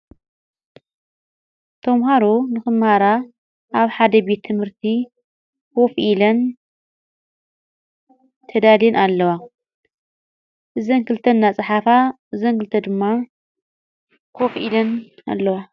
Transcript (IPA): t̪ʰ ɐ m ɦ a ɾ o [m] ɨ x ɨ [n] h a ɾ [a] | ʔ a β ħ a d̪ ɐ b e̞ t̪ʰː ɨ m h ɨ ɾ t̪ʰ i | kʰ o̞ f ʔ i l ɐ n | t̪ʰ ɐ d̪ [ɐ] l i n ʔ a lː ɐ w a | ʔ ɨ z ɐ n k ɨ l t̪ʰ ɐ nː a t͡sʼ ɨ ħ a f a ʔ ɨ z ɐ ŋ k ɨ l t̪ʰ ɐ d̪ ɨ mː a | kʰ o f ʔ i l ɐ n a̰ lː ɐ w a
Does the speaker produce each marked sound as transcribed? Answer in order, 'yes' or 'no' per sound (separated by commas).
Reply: no, no, yes, no